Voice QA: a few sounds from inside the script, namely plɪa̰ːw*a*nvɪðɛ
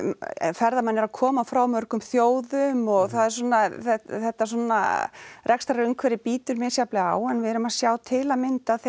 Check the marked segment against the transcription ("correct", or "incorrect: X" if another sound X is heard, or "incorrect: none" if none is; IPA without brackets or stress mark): incorrect: ɛ